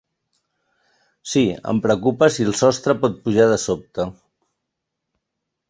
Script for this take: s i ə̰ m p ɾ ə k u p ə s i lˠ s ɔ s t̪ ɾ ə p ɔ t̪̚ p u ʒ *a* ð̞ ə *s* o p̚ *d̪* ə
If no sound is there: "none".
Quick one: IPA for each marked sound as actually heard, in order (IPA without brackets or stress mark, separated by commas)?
a, s, t̪